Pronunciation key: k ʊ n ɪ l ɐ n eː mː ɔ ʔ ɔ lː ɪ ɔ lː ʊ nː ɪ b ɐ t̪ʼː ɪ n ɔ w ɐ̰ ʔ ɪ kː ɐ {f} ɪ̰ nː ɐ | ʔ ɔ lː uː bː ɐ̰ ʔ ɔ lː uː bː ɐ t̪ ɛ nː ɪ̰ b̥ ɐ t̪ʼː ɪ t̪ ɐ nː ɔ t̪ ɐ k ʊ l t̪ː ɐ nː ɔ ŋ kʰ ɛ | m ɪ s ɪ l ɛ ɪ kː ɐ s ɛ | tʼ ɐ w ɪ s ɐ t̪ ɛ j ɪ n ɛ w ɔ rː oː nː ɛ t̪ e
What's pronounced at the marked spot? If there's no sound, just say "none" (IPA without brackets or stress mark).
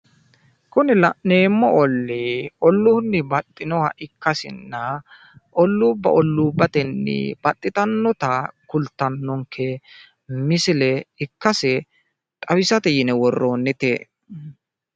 s